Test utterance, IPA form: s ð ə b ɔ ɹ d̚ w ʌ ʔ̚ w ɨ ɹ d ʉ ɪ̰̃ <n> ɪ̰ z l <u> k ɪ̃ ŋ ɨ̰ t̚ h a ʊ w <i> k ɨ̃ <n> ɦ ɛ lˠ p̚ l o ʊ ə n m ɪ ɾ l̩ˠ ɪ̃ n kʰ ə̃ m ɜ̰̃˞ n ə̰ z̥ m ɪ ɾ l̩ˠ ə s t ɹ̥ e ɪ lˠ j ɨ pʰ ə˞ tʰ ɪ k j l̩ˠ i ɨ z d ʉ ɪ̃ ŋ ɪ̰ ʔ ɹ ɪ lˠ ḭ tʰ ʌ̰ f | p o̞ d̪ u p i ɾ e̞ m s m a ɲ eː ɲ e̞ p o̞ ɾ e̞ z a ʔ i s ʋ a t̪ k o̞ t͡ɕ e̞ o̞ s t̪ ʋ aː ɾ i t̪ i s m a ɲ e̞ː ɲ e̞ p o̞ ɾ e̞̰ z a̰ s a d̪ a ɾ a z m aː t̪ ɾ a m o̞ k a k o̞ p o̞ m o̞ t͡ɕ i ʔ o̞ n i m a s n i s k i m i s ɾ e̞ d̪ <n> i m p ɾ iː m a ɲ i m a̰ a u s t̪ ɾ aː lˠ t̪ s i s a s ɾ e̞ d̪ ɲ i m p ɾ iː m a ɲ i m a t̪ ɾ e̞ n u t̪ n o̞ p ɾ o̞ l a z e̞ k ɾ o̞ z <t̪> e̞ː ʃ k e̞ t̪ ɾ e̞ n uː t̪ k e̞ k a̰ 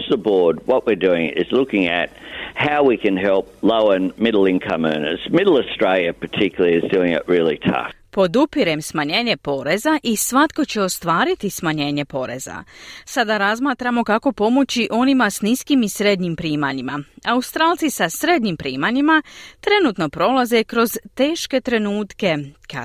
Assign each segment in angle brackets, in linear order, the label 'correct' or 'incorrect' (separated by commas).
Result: incorrect, incorrect, correct, correct, incorrect, correct